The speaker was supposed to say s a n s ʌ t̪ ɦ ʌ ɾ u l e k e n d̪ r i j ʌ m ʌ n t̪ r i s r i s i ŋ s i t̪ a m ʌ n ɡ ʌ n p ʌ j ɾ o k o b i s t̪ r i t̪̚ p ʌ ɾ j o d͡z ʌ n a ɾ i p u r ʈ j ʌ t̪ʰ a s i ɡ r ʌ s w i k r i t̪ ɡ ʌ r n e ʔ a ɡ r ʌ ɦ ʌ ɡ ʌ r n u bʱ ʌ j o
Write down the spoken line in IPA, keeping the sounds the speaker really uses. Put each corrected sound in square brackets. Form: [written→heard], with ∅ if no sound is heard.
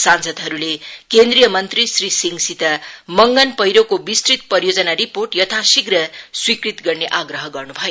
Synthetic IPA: s a n s ʌ [t̪→d̪] ɦ ʌ ɾ u l e k e n d̪ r i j ʌ m ʌ n t̪ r i s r i s i ŋ s i t̪ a m ʌ [n→ŋ] ɡ ʌ n p ʌ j ɾ o k o b i s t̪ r i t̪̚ p ʌ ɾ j o d͡z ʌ n a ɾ i p [u→o] r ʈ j ʌ t̪ʰ a s i ɡ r ʌ s w i k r i t̪ ɡ ʌ r n e ʔ a ɡ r ʌ ɦ ʌ ɡ ʌ r n u bʱ ʌ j o